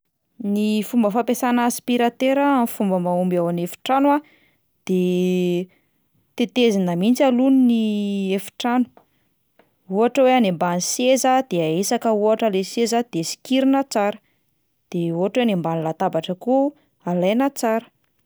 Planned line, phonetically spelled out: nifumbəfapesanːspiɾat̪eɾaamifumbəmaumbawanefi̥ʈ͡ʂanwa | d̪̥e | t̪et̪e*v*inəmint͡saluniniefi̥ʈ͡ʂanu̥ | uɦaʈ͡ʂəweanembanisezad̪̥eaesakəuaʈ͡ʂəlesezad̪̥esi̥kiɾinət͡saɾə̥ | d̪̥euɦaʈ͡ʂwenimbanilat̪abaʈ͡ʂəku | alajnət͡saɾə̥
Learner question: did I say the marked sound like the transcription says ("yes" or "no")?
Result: no